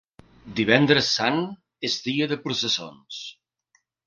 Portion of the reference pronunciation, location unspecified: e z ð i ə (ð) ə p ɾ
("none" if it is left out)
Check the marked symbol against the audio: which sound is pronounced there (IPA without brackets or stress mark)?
ð